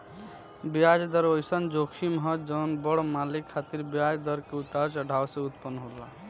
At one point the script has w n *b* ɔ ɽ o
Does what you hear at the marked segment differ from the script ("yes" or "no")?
no